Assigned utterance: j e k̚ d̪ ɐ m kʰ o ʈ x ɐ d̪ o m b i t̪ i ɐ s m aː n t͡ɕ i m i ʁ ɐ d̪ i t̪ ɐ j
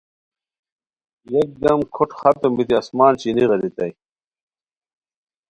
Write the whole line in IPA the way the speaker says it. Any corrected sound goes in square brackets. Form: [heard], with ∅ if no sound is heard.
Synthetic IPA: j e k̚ d̪ ɐ m kʰ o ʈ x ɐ [t̪] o m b i t̪ i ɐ s m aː n t͡ɕ i [n] i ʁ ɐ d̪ i t̪ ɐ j